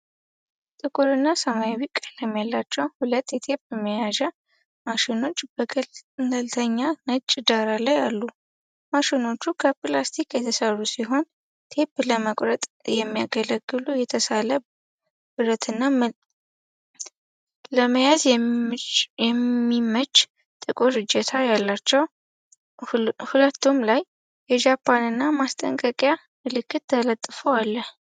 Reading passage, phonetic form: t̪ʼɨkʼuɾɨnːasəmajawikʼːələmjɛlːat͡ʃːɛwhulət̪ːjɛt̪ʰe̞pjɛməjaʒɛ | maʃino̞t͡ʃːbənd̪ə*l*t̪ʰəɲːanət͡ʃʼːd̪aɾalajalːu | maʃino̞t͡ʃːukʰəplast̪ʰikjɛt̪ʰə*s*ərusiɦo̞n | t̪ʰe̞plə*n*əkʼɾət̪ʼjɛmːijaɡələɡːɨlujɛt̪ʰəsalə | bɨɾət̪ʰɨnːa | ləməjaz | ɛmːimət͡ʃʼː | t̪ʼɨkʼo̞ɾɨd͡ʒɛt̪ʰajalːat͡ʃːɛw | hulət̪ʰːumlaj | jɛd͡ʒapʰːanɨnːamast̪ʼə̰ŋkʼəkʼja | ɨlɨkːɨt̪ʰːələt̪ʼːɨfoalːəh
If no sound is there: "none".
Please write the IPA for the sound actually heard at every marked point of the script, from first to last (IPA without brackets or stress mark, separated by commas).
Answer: l, s, m